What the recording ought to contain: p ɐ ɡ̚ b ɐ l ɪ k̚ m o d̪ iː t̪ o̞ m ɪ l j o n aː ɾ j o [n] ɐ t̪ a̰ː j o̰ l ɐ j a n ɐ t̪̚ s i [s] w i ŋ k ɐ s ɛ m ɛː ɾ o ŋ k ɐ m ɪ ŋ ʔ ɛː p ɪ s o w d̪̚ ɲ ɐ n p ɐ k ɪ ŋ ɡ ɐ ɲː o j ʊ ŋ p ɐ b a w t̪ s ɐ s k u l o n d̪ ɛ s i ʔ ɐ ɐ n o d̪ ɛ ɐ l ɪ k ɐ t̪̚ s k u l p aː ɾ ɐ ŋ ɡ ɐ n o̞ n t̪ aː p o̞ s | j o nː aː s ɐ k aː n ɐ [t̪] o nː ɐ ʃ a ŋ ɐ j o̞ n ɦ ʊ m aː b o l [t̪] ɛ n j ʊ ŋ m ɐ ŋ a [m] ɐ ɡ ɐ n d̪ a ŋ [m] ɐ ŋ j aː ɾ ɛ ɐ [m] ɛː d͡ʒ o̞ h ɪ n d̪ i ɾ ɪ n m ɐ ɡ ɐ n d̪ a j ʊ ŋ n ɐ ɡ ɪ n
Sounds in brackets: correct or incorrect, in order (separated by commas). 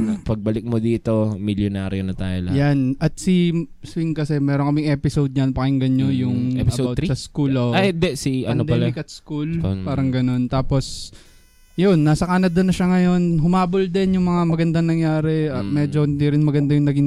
correct, correct, incorrect, incorrect, correct, incorrect, correct